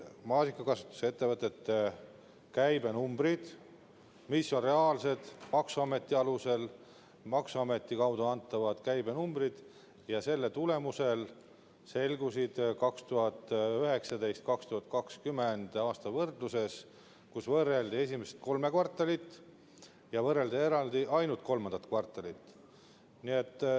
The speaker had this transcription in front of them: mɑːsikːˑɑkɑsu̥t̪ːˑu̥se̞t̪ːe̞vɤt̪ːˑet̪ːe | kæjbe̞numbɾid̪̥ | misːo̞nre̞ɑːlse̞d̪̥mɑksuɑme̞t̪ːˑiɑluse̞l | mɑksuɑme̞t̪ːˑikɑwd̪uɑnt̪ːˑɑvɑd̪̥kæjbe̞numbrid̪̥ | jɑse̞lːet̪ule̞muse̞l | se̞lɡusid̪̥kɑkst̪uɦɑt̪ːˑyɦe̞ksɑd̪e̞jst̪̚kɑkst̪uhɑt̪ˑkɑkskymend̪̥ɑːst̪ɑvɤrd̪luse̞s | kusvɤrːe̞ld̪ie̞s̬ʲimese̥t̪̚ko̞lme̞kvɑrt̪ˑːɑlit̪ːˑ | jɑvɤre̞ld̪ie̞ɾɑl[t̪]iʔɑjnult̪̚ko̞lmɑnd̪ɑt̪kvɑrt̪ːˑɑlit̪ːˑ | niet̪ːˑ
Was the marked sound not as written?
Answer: yes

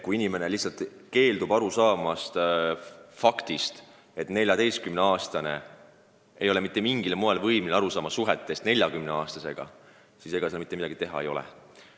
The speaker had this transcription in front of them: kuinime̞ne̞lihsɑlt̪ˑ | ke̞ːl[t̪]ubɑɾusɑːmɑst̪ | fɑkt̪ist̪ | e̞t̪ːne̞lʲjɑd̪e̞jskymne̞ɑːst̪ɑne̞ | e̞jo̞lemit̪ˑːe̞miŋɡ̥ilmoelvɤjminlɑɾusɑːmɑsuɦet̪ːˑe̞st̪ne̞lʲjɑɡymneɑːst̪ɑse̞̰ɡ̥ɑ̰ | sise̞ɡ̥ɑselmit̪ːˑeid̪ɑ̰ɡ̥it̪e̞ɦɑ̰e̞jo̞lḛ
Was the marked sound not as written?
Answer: yes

